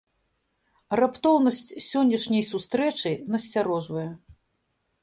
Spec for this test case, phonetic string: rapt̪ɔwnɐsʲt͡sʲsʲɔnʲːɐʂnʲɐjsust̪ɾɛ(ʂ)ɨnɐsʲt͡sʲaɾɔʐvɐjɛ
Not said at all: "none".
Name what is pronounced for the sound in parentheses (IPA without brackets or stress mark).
t͡ʂ